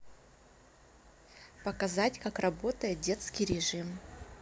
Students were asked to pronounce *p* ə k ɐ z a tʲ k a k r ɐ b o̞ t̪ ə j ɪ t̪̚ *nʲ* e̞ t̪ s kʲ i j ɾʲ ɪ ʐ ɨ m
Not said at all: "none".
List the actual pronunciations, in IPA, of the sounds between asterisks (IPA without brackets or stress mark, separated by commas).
p, dʲ